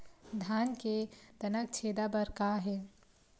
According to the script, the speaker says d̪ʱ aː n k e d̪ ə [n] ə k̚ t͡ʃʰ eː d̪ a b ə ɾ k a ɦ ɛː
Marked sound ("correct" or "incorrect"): correct